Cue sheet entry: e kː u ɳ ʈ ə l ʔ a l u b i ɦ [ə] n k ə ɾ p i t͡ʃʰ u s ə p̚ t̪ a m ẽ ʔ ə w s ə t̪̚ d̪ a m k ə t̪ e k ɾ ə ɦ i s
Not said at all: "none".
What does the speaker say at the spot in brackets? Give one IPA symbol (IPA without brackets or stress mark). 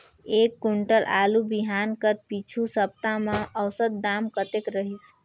a